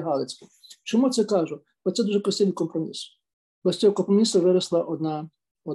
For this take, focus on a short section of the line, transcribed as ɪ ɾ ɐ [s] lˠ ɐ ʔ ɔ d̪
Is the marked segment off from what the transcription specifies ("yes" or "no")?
no